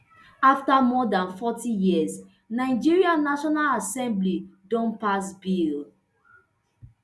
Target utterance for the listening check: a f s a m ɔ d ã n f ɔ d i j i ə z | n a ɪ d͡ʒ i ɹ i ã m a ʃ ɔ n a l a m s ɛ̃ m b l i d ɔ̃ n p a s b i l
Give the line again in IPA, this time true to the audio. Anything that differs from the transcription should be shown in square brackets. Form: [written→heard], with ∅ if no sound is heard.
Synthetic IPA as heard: a f [s→t] a m ɔ d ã n f ɔ [d→t] i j i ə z | n a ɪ d͡ʒ i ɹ i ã [m→n] a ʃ ɔ n a l a [m→∅] s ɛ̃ m b l i d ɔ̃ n p a s b i l